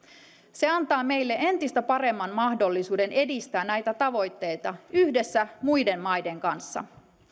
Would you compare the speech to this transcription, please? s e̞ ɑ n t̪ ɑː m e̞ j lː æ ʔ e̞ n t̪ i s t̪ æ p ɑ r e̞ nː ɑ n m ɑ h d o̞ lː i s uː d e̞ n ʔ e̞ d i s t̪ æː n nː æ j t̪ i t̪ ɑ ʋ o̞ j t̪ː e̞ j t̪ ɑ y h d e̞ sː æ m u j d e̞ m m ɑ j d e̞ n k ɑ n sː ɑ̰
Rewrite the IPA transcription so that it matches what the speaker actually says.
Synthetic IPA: s e̞ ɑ n t̪ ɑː m e̞ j lː e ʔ e̞ n t̪ i s t̪ æ p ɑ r e̞ mː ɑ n m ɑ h d o̞ lː i s uː d e̞ n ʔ e̞ d i s t̪ æː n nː æ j t̪ æ t̪ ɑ ʋ o̞ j t̪ː e̞ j t̪ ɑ y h d e̞ sː æ m u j d e̞ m m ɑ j d e̞ ŋ k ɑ n sː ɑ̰